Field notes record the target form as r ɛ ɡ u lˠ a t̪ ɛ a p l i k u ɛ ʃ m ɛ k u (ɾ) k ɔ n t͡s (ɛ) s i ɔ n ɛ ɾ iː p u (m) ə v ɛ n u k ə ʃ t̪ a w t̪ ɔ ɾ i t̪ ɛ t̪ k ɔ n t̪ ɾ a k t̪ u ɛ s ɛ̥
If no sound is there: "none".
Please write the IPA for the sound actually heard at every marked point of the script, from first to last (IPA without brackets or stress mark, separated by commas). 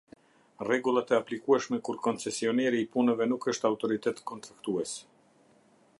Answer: ɾ, ɛ, n